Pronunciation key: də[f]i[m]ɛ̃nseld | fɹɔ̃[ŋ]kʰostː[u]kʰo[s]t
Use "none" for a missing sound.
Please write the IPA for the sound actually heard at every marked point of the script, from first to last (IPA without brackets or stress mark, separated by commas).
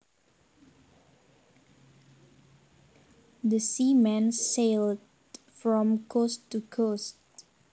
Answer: s, m, m, u, s